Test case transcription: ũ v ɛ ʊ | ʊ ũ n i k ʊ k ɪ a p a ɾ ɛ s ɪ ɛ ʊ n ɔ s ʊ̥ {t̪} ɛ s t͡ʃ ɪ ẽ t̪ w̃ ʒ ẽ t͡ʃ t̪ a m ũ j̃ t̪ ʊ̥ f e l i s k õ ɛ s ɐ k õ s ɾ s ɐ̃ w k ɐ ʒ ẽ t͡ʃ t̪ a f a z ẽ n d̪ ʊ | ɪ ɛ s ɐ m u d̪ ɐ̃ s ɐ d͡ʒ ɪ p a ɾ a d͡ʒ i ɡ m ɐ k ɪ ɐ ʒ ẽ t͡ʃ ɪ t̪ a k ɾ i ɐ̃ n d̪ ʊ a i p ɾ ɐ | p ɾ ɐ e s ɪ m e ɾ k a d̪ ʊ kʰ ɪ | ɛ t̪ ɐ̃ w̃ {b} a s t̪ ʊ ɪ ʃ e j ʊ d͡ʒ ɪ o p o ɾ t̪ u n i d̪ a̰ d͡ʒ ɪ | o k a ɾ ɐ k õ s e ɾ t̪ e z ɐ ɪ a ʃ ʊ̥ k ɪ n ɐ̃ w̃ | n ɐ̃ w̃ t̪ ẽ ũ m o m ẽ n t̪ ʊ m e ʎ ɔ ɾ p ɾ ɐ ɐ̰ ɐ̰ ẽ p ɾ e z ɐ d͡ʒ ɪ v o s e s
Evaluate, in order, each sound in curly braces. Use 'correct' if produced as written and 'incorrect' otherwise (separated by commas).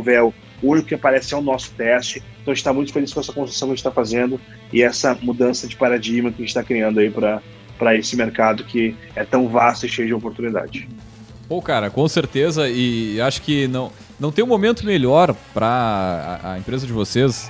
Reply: correct, incorrect